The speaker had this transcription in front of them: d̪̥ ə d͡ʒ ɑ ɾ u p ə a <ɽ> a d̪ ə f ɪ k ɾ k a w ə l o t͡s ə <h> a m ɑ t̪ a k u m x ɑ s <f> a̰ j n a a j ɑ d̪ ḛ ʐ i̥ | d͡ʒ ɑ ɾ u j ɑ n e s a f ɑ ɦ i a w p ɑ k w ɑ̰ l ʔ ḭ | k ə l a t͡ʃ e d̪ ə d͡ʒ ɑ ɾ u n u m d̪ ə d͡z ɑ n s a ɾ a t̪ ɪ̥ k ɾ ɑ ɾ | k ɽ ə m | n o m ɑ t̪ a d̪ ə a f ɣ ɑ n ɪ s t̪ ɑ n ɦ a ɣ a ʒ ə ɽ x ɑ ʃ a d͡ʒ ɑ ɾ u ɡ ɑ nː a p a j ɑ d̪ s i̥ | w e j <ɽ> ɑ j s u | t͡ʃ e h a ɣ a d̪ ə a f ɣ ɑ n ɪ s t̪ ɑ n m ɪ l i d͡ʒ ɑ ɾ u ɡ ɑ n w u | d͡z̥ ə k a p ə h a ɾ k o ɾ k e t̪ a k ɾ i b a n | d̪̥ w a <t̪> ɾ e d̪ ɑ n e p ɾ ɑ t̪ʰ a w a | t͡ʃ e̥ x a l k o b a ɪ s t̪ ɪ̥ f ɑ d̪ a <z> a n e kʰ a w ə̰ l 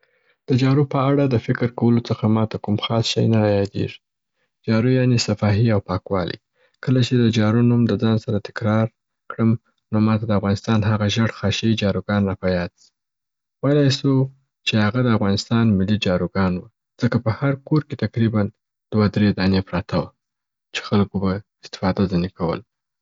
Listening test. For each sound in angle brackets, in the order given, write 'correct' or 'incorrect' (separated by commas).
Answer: correct, incorrect, incorrect, incorrect, incorrect, correct